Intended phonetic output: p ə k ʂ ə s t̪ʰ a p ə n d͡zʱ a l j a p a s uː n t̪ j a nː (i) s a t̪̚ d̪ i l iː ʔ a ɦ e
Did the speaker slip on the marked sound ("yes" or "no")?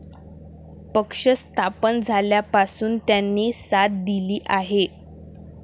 yes